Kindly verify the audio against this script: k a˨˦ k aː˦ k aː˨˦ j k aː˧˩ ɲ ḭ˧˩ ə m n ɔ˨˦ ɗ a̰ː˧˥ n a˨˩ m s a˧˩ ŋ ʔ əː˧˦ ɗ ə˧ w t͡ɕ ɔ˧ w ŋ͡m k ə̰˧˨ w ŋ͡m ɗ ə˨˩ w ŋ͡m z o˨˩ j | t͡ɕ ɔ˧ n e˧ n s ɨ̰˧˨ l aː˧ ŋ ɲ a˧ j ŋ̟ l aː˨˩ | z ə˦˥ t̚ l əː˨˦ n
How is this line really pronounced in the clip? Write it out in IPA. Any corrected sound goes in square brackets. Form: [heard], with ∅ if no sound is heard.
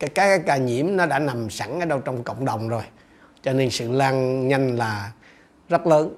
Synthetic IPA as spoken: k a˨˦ k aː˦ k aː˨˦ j k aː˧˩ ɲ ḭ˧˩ ə m n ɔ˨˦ ɗ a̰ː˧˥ n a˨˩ m s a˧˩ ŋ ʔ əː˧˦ ɗ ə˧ w t͡ɕ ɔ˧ w ŋ͡m k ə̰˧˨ w ŋ͡m ɗ ə˨˩ w ŋ͡m z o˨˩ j | t͡ɕ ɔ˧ n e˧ n s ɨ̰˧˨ l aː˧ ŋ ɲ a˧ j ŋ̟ l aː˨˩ | z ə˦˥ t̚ l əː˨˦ n